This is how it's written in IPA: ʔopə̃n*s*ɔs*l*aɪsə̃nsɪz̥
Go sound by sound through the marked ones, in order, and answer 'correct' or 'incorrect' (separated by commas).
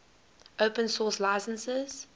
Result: correct, correct